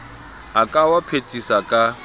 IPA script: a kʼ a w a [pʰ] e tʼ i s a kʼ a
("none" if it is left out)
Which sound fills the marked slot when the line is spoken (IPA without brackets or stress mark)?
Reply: pʰ